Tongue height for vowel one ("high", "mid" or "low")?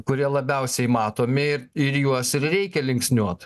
high